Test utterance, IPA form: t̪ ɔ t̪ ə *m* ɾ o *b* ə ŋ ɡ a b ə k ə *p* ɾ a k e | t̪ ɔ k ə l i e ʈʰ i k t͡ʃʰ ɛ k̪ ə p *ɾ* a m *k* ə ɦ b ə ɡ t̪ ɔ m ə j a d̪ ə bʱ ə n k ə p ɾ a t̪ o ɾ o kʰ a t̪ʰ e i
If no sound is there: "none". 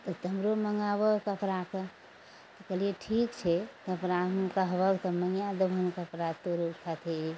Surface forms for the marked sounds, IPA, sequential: m, m, p, ɾ, k

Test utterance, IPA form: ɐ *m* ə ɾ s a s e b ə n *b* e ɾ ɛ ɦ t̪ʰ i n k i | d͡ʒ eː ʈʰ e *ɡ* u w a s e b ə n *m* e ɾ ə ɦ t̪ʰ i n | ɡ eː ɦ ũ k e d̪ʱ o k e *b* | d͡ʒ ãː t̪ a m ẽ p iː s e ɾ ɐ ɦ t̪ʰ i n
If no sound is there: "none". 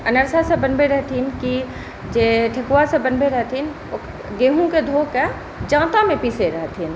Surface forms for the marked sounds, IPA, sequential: n, b, k, b, none

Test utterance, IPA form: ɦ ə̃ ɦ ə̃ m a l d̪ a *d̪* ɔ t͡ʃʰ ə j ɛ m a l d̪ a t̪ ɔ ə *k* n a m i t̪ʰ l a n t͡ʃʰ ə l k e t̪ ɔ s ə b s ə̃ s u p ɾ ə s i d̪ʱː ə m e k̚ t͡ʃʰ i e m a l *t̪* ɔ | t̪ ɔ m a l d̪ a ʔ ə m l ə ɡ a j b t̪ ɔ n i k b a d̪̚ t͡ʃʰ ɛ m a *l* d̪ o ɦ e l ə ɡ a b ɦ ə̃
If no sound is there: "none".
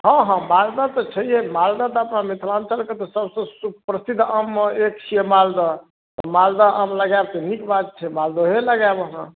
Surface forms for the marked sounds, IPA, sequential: t̪, p, d̪, l

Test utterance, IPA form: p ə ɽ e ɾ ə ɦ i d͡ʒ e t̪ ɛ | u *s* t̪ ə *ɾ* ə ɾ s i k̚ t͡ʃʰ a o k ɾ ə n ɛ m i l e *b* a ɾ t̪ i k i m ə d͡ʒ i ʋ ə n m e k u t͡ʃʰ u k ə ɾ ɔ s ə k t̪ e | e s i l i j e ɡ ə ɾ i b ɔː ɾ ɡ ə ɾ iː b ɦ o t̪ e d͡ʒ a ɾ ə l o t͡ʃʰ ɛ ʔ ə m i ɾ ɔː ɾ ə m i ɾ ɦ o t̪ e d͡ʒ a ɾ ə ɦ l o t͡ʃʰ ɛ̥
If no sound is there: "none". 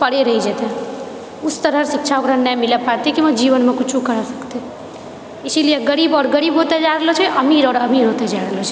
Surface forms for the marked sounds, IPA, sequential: s, ɾ, p

